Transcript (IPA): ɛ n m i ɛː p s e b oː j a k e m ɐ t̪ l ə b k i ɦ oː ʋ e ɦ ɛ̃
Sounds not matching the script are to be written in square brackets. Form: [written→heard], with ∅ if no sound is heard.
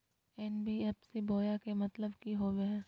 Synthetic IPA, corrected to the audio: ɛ n [m→b] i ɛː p s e b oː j a k e m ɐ t̪ l ə b k i ɦ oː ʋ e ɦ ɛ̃